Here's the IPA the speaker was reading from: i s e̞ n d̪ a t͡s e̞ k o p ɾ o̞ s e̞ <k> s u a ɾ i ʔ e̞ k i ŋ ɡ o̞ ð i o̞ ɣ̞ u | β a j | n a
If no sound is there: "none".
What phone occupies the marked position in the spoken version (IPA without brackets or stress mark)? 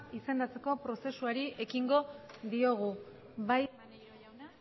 none